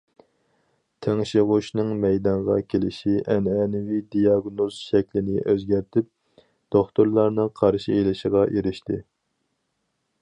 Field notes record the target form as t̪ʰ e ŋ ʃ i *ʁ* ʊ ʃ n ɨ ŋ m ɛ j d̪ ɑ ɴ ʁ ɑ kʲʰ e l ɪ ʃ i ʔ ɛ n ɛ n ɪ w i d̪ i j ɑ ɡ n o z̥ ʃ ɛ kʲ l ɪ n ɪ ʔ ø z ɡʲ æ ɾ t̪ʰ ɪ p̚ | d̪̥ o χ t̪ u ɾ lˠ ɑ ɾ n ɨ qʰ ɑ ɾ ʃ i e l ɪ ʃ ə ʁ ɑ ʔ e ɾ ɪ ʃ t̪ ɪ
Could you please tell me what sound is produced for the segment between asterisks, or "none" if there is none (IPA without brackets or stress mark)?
ʁ